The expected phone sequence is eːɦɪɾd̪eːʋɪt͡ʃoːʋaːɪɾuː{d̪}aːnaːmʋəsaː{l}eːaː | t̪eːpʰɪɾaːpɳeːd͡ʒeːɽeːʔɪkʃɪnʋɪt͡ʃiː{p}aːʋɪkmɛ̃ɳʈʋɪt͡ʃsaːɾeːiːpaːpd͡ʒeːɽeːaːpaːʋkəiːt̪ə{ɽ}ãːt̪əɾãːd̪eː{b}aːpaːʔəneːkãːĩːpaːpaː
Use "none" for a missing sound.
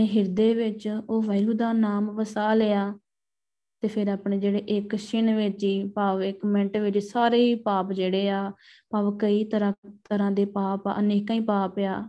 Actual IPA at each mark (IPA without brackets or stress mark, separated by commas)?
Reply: d̪, l, p, ɾ, p